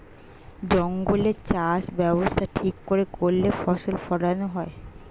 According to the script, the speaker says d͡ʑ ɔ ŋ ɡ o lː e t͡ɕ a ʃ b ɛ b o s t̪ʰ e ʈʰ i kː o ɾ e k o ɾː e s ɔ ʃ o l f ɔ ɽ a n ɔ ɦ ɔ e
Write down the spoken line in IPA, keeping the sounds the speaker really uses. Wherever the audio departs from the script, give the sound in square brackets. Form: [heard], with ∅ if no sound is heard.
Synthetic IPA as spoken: d͡ʑ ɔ ŋ ɡ o [l] e t͡ɕ a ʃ b ɛ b o s t̪ʰ [a] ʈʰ i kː o ɾ e k o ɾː e [f] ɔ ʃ o l f ɔ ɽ a n [o] ɦ ɔ e